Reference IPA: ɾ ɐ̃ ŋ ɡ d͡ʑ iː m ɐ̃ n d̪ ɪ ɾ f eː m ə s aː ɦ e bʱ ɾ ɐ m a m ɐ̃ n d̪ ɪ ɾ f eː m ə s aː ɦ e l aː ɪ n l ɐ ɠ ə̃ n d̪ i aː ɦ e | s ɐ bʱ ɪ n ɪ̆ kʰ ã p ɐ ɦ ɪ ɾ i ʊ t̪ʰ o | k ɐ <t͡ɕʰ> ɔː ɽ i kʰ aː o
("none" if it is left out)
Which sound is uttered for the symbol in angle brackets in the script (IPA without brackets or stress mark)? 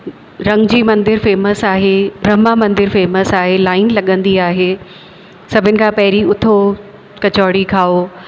t͡ɕ